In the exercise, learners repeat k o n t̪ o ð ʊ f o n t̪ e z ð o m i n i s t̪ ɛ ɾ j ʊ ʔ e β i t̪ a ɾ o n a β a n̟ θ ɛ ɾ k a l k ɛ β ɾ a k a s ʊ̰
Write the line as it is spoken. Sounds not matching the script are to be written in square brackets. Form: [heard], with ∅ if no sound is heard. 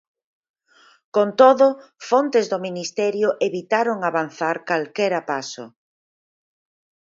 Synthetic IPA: k o n t̪ o ð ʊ f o n t̪ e z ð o m i n i s t̪ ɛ ɾ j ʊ ʔ e β i t̪ a ɾ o [ŋ] a β a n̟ θ [a] ɾ k a l k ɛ [∅] ɾ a [p] a s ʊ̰